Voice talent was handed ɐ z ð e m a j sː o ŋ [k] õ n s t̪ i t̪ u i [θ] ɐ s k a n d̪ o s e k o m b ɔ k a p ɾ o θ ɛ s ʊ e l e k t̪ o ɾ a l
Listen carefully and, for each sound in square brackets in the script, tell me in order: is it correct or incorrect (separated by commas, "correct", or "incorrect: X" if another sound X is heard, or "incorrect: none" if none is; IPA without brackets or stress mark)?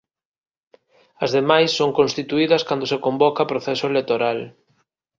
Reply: correct, incorrect: ð